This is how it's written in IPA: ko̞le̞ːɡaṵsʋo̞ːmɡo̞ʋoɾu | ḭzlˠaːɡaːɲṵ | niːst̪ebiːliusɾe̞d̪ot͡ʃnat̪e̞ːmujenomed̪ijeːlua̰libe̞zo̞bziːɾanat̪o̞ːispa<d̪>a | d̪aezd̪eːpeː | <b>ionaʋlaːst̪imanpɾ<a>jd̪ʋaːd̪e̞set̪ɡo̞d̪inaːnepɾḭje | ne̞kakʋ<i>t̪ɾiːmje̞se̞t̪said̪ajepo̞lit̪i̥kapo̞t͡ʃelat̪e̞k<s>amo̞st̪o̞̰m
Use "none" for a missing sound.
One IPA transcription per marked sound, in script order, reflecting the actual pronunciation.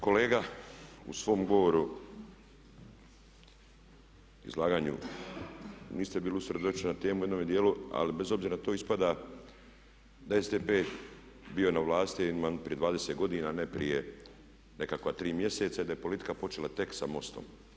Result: d̪, b, i, a, s

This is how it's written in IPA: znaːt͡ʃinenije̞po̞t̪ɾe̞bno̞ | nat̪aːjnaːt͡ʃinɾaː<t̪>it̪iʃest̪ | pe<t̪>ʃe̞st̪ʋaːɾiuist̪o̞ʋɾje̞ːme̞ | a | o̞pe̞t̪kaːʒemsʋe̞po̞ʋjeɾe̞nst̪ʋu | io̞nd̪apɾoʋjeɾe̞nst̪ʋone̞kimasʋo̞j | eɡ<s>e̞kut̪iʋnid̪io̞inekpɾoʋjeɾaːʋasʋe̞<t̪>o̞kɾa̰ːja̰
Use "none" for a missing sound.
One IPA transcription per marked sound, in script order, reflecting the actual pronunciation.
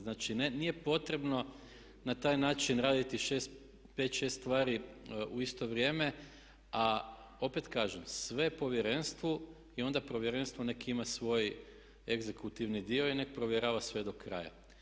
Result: d̪, t̪, z, d̪

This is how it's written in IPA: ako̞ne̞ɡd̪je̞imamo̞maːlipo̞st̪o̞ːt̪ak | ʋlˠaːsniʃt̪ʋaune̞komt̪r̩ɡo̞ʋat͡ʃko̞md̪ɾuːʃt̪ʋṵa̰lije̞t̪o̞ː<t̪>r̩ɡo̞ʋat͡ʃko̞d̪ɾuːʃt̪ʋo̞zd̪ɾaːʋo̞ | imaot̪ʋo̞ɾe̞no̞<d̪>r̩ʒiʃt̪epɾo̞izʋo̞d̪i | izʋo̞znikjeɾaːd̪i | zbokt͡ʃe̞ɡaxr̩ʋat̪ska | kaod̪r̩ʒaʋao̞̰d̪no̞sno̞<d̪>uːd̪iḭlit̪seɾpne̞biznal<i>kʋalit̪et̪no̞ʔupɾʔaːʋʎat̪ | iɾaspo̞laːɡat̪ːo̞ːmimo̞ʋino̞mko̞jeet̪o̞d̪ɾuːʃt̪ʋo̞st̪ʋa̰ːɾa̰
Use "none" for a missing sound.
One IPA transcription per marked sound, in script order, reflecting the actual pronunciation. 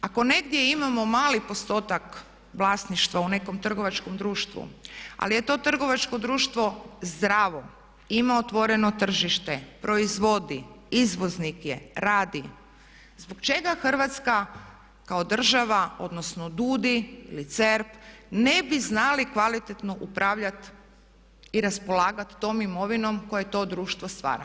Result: t̪, t̪, d̪, i

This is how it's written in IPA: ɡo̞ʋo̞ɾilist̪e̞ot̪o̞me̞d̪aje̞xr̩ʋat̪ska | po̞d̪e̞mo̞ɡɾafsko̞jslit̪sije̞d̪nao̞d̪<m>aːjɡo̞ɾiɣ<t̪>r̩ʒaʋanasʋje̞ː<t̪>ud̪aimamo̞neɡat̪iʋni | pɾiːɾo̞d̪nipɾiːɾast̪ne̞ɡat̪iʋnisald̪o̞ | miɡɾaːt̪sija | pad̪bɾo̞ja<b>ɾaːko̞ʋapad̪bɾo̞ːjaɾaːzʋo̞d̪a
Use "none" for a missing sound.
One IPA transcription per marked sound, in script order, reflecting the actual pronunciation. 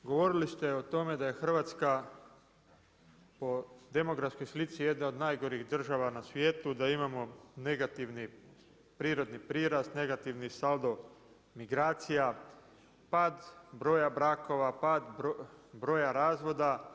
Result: n, d̪, t̪, b

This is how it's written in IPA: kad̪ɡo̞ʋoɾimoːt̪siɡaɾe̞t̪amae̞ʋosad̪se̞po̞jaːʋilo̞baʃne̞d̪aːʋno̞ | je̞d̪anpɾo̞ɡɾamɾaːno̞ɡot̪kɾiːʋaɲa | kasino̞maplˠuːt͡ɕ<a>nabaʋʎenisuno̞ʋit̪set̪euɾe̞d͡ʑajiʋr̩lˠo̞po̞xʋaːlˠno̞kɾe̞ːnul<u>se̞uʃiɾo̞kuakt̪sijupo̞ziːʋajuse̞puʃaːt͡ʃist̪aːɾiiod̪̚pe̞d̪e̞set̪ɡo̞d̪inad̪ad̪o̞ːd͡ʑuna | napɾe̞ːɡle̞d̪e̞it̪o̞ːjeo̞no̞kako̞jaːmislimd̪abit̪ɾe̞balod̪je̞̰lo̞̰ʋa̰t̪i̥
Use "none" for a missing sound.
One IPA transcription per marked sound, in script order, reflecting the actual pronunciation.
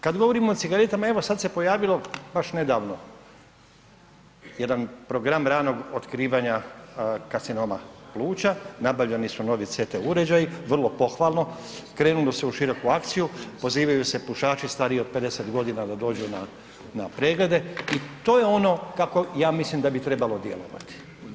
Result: a, o

